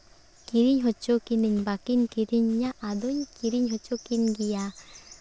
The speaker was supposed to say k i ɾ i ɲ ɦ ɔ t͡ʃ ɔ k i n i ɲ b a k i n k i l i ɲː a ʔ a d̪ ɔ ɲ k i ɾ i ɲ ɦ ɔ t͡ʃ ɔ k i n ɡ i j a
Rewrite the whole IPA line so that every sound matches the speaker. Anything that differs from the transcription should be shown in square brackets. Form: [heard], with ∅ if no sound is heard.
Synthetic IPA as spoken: k i ɾ i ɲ ɦ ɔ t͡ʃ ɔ k i n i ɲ b a k i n k i [ɾ] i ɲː a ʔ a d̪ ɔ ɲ k i ɾ i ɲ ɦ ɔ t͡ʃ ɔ k i n ɡ i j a